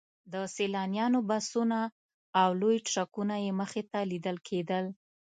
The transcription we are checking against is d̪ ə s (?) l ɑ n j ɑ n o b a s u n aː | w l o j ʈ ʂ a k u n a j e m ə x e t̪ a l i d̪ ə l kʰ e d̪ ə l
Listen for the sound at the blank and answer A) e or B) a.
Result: A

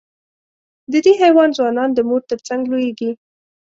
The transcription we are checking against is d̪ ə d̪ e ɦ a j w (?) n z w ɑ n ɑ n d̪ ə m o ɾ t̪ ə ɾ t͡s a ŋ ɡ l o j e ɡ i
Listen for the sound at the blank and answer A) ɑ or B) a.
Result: A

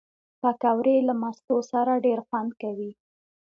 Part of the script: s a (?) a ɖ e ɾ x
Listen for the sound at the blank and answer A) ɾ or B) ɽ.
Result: A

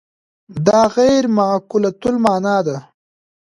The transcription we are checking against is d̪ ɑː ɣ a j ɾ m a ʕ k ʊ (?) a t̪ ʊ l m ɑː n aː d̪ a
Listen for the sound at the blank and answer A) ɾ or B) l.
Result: B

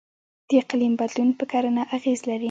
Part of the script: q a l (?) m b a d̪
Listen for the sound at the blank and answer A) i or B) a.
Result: A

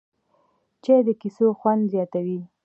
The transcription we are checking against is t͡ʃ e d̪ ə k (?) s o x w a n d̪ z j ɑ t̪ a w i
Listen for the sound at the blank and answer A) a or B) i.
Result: B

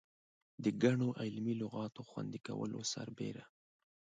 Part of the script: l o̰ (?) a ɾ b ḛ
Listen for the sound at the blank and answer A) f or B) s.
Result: B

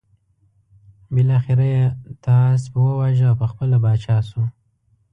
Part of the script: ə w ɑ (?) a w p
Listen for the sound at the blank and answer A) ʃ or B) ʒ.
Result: B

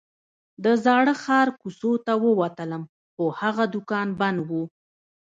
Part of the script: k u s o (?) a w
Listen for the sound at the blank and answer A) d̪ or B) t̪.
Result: B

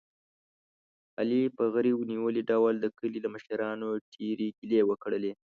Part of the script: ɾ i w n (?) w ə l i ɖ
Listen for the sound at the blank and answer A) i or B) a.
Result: A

